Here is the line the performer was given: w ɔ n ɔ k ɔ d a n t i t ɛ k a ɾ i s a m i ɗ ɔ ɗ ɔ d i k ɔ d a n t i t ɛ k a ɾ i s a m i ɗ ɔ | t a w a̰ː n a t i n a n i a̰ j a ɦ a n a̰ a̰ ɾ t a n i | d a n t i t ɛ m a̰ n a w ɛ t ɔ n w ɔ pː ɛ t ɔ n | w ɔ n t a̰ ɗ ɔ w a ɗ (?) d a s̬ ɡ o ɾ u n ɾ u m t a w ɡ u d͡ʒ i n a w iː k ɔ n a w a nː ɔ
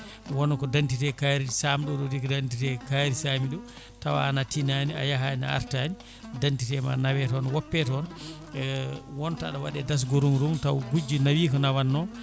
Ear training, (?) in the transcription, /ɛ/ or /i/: ɛ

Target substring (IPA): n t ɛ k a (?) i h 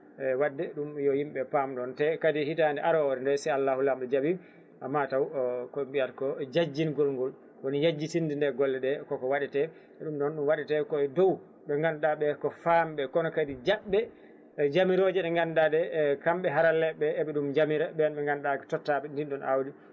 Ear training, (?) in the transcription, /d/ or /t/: d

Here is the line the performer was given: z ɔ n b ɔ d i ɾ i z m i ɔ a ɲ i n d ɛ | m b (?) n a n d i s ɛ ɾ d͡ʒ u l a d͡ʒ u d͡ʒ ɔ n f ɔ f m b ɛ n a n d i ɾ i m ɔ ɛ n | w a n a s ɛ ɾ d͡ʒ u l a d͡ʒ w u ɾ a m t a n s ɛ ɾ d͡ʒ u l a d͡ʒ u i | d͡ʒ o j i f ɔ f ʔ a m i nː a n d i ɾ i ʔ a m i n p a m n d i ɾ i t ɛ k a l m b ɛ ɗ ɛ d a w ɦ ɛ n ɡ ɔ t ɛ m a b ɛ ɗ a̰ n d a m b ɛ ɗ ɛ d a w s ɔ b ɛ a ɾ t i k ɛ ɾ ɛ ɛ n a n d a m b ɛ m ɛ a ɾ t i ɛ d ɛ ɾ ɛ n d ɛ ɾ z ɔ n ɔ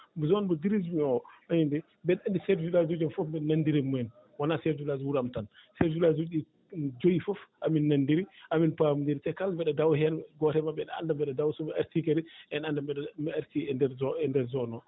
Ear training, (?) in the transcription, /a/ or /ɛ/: ɛ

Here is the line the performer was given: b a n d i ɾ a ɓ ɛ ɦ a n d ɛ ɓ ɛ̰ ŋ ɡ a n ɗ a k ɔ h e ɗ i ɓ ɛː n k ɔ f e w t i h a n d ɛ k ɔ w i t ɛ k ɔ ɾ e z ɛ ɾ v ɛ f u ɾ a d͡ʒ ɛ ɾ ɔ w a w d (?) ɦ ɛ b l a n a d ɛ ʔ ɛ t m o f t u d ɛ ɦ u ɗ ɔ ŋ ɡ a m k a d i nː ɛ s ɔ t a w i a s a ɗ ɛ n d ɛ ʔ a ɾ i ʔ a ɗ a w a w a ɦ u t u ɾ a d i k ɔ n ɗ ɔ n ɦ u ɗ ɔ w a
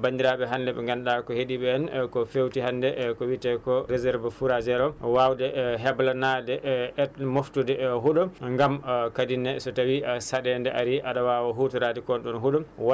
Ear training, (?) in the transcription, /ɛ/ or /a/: ɛ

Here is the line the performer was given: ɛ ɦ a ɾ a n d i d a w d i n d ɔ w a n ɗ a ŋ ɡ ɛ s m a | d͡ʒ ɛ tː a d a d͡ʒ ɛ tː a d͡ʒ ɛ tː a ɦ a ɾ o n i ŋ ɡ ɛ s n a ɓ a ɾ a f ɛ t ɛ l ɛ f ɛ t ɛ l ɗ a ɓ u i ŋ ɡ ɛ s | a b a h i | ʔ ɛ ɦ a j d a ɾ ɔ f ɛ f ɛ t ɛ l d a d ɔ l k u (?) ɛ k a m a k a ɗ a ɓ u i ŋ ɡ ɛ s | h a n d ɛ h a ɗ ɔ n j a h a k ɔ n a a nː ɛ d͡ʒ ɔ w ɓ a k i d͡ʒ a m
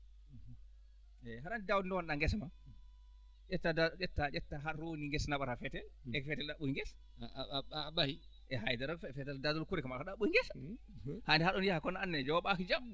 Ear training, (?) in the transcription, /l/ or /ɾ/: ɾ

